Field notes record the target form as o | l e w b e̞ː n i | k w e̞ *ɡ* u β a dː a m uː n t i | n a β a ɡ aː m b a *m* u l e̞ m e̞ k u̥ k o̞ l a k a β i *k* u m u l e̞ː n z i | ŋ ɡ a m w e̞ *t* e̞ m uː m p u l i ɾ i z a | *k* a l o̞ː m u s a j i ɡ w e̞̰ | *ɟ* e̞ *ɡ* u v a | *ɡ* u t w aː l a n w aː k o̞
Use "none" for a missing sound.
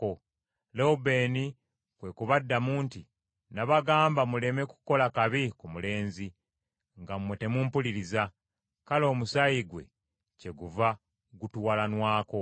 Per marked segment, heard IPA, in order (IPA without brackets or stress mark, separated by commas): k, m, k, t, k, c, ɡ, ɡ